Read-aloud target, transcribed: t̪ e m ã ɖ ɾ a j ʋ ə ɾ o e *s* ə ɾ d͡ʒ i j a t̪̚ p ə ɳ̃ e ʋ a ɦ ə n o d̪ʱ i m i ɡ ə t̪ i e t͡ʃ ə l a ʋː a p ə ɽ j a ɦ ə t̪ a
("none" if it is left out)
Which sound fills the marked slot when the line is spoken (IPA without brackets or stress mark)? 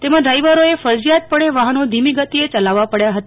f